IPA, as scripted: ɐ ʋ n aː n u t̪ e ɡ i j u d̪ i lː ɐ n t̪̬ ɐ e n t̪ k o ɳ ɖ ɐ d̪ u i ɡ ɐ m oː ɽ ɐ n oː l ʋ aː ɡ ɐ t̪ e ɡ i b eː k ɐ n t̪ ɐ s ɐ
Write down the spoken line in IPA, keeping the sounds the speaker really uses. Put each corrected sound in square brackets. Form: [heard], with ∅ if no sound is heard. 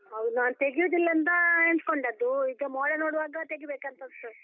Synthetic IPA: ɐ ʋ n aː n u t̪ e ɡ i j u d̪ i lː ɐ n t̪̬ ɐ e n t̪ k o ɳ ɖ ɐ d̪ u i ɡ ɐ m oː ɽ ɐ n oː [ɽ] ʋ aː ɡ ɐ t̪ e ɡ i b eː k ɐ n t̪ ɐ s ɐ